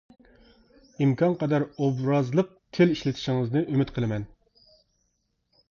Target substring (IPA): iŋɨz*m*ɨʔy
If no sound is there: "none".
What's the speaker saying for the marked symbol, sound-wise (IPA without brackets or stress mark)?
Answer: n